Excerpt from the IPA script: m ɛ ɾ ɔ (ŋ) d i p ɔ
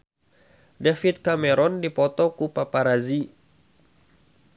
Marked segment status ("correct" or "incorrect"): incorrect